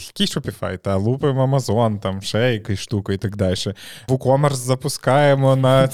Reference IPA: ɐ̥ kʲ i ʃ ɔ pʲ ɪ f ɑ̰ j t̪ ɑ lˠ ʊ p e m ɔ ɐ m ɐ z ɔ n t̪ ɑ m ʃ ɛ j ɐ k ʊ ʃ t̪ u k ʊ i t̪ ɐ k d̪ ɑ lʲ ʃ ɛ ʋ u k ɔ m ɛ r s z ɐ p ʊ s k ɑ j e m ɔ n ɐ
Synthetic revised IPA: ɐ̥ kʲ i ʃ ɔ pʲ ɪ f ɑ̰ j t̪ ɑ lˠ u p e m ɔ ɐ m ɐ z ɔ n t̪ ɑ m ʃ ɛ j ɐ k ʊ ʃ t̪ u k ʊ i t̪ ɐ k d̪ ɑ lʲ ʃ ɛ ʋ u k ɔ m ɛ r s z ɐ p ʊ s k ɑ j e m ɔ n ɐ